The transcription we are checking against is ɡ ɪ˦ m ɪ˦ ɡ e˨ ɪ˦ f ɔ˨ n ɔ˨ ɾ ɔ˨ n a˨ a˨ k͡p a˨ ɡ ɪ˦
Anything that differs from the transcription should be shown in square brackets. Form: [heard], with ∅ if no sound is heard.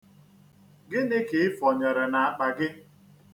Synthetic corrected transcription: ɡ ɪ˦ [n] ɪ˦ [k] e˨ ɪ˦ f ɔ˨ [ɲ] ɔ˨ ɾ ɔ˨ n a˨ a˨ k͡p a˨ ɡ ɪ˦